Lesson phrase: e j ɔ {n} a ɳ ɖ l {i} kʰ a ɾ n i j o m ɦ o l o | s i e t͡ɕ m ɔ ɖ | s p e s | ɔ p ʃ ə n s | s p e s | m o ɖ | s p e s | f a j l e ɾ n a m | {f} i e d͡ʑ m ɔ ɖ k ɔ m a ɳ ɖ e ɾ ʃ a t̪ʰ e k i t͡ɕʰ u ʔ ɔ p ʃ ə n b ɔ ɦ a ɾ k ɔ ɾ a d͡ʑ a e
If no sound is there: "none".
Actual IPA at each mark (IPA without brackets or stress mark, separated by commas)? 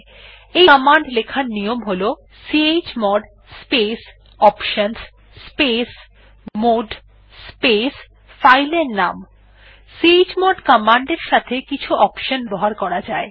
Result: m, e, s